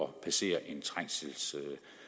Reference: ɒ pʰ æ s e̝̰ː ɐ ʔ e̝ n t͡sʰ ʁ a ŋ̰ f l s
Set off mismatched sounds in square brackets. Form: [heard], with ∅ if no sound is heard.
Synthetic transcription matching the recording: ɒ pʰ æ s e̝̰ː ɐ ʔ e̝ n t͡sʰ ʁ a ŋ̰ [s] l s